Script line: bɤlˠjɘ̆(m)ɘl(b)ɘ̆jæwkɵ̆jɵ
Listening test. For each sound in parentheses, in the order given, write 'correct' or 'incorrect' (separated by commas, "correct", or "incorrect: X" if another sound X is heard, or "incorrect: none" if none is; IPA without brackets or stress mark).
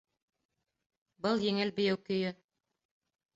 incorrect: ŋ, correct